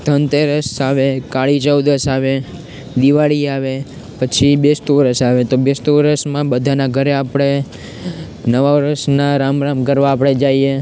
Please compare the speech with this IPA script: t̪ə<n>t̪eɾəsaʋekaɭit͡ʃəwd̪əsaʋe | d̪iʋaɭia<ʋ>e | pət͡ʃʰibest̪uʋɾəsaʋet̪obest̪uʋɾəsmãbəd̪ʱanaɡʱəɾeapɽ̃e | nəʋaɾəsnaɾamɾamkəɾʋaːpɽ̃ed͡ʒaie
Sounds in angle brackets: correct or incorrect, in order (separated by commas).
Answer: correct, correct